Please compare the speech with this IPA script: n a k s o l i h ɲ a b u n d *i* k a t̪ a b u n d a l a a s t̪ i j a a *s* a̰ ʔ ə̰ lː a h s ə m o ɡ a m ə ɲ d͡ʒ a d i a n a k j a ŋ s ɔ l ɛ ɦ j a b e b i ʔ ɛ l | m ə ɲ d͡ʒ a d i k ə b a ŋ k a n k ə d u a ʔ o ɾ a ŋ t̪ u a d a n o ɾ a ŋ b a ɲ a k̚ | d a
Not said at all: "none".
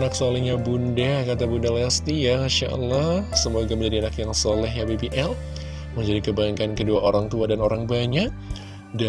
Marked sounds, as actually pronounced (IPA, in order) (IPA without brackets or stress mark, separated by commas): a, ʃ